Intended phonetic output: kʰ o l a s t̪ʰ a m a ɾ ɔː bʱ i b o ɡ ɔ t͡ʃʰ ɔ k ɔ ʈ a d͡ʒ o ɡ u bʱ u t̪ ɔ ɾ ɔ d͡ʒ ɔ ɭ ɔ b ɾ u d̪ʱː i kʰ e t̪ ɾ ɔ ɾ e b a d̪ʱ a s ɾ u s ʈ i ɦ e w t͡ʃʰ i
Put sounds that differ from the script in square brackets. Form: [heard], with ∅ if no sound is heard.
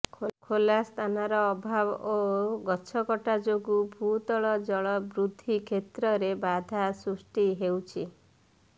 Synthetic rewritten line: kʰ o l a s t̪ʰ a [n] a ɾ ɔː bʱ [a] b o ɡ ɔ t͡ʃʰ ɔ k ɔ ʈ a d͡ʒ o ɡ u bʱ u t̪ ɔ [ɭ] ɔ d͡ʒ ɔ ɭ ɔ b ɾ u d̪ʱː i kʰ e t̪ ɾ ɔ ɾ e b a d̪ʱ a s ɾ u s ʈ i ɦ e w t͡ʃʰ i